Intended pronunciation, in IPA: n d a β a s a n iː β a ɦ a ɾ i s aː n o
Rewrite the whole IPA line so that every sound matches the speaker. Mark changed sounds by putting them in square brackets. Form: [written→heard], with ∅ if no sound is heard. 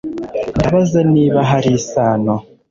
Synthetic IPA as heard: n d a β a [s→z] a n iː β a ɦ a ɾ i s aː n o

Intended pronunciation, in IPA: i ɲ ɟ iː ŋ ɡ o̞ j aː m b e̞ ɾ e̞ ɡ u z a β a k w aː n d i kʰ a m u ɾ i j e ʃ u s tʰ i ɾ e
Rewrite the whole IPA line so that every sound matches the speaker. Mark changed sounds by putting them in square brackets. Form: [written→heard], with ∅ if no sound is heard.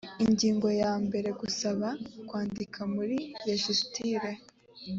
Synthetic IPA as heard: i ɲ ɟ iː ŋ ɡ o̞ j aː m b e̞ ɾ e̞ ɡ u [z→s] a β a k w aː n d i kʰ a m u ɾ i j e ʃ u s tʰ i ɾ e

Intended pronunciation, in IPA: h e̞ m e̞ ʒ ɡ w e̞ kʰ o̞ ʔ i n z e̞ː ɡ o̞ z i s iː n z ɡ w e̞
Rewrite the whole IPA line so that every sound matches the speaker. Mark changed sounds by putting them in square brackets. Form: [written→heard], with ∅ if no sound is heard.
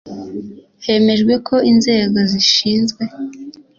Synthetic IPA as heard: h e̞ m e̞ ʒ ɡ w e̞ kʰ o̞ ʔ i n z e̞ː ɡ o̞ z i [s→ʃ] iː n z ɡ w e̞

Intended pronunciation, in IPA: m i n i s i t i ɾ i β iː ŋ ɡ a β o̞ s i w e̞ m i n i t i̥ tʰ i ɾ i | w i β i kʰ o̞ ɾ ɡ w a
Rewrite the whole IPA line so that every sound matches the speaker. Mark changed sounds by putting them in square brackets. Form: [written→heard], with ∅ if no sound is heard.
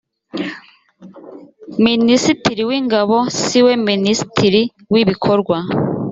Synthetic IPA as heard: m i n i s i t i ɾ i [β→w] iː ŋ ɡ a β o̞ s i w e̞ m i n i [t→s] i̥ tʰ i ɾ i | w i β i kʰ o̞ ɾ ɡ w a

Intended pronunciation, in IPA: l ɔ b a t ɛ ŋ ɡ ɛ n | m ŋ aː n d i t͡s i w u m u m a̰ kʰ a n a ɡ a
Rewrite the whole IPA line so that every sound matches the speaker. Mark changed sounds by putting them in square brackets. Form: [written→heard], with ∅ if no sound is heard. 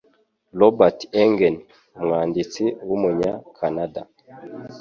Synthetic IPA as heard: l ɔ b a t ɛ ŋ ɡ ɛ n | m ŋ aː n d i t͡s i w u m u [m→ɲ] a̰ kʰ a n a [ɡ→d] a

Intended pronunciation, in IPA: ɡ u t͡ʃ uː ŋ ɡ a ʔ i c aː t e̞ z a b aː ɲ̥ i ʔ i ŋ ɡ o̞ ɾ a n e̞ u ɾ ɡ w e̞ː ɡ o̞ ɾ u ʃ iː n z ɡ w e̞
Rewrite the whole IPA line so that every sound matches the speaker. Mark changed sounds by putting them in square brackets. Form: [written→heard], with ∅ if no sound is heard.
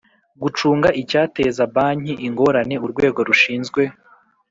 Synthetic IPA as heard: ɡ u t͡ʃ uː ŋ ɡ a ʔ i c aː t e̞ z a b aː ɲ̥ i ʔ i ŋ ɡ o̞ ɾ a n e̞ u ɾ ɡ w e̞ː ɡ o̞ ɾ u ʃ iː n z ɡ w e̞

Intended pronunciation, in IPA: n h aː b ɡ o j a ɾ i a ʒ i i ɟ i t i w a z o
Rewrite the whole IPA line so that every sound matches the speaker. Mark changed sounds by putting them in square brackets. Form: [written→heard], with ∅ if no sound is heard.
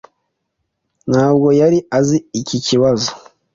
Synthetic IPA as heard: n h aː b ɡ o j a ɾ i a [ʒ→z] i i [ɟ→c] i [t→c] i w a z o

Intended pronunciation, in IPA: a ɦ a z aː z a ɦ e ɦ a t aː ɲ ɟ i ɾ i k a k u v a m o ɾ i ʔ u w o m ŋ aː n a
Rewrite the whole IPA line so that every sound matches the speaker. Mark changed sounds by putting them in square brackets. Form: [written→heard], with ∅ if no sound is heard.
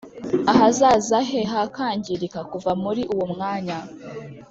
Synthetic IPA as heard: a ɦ a z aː z a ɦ e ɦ a [t→k] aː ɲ ɟ i ɾ i k a k u v a m [o→u] ɾ i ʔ u w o m ŋ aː [n→ɲ] a

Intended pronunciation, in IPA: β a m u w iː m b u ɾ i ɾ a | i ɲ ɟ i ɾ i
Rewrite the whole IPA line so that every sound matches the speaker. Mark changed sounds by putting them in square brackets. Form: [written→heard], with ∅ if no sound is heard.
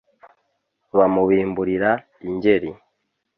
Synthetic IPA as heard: β a m u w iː m b u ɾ i ɾ a | i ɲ ɟ [i→e] ɾ i

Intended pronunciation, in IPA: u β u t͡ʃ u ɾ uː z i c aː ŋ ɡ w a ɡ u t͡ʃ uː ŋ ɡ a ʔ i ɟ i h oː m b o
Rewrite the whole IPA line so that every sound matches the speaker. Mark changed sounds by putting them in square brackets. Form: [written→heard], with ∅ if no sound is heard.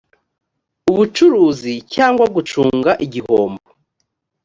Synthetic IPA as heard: u β u t͡ʃ u ɾ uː z i c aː ŋ ɡ w a ɡ u t͡ʃ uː ŋ ɡ a ʔ i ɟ i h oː m b o

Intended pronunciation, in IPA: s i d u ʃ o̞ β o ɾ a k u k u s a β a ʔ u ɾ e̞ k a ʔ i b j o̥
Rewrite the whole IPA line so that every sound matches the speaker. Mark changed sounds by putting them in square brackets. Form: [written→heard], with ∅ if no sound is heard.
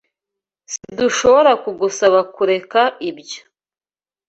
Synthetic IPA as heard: s i d u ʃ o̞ β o ɾ a k u [k→ɡ] u s a β a [ʔ→k] u ɾ e̞ k a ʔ i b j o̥

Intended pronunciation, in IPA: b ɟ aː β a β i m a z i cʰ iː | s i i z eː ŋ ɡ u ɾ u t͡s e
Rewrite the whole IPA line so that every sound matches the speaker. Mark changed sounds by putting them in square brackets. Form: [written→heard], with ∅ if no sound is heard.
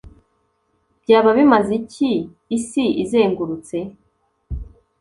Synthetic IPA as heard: b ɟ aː β a β i m a z i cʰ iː | s i i z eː ŋ ɡ u ɾ u t͡s e

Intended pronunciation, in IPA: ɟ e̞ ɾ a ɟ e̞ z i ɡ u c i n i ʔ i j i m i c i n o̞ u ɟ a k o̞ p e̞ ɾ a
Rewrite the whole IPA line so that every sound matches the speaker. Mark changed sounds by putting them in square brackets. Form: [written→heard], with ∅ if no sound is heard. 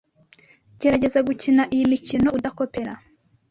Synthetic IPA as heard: ɟ e̞ ɾ a ɟ e̞ z [i→a] ɡ u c i n [i→a] ʔ i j i m i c i n o̞ u [ɟ→d] a k o̞ p e̞ ɾ a

